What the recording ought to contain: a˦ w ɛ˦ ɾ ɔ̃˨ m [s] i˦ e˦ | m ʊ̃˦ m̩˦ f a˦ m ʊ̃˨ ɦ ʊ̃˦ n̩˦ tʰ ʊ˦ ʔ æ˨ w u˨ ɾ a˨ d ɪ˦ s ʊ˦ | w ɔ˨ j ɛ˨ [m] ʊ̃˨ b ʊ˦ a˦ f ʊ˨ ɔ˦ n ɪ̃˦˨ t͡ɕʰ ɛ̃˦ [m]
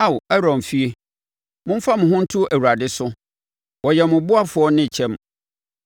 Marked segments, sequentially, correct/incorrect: incorrect: f, correct, correct

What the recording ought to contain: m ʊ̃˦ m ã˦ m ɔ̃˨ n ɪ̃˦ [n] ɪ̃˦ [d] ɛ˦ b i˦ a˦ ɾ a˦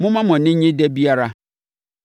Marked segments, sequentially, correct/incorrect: incorrect: ɲ, correct

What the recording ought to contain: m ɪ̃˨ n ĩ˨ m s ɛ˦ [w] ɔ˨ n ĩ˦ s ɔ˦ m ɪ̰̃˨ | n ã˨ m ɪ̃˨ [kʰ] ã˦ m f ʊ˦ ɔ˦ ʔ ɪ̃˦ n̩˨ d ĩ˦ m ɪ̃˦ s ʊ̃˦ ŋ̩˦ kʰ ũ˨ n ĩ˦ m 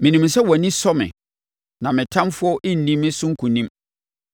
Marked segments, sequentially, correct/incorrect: correct, incorrect: tʰ

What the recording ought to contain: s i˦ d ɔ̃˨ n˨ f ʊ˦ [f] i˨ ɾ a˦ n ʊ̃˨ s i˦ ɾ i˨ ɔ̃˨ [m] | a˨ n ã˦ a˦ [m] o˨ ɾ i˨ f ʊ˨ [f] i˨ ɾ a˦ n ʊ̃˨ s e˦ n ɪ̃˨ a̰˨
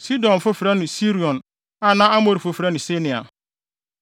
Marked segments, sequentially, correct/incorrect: correct, incorrect: n, correct, correct

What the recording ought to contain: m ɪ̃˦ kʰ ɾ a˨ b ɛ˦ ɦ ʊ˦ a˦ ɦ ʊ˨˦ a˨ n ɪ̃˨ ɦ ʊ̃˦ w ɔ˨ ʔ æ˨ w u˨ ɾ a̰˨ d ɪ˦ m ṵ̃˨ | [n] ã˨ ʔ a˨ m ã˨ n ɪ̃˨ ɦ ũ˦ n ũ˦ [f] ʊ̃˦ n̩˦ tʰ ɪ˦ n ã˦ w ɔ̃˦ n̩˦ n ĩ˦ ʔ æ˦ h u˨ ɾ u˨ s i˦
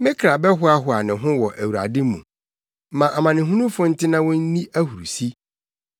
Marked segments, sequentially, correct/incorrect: incorrect: m, correct

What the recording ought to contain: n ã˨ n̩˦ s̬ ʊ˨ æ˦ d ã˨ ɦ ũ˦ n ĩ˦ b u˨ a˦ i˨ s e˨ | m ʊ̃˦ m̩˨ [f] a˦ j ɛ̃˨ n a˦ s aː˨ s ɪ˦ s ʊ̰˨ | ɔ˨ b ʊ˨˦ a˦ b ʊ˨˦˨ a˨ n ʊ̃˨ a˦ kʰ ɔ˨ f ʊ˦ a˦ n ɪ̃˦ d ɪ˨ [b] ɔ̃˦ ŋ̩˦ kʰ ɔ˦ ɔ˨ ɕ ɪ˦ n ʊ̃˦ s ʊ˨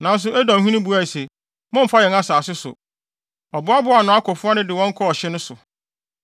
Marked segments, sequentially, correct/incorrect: correct, incorrect: w

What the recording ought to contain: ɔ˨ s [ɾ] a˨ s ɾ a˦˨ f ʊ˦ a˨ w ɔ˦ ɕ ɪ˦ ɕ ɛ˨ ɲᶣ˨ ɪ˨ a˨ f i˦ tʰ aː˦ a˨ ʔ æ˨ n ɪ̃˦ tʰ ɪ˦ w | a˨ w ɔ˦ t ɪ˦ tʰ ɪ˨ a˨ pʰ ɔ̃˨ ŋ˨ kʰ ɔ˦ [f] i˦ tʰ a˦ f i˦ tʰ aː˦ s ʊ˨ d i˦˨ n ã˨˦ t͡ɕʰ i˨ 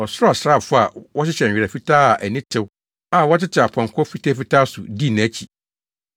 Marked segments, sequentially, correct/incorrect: correct, correct

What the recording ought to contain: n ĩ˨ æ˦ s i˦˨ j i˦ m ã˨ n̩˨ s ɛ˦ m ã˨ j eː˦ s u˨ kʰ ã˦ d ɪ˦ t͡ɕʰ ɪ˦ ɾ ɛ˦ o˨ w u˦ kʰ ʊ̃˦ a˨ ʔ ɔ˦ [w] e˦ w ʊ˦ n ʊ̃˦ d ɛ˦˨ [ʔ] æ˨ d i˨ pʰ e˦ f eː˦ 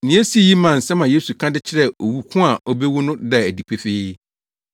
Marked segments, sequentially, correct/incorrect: incorrect: b, incorrect: none

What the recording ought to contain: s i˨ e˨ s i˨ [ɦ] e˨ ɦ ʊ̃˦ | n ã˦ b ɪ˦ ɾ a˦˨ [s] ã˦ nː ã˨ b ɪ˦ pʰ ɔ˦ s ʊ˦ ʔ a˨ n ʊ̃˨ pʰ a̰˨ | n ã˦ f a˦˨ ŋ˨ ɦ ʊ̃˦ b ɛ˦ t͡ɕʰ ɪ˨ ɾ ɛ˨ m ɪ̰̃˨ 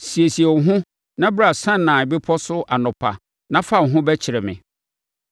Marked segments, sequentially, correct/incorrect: incorrect: none, correct

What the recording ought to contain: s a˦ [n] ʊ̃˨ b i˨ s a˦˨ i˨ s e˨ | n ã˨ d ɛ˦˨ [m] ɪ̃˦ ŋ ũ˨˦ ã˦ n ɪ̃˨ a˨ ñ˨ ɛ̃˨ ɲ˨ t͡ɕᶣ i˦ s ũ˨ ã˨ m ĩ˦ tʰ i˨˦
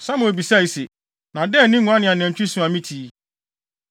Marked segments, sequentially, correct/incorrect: incorrect: m, incorrect: n

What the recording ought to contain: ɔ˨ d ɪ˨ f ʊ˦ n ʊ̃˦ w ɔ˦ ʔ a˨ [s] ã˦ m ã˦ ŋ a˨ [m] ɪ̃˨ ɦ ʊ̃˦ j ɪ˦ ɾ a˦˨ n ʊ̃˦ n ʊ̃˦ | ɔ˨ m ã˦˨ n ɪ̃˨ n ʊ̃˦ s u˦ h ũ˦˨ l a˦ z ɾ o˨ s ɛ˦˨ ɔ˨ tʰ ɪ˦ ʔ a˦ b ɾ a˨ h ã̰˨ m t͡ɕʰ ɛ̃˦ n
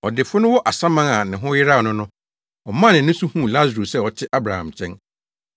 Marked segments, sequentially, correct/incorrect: correct, incorrect: n

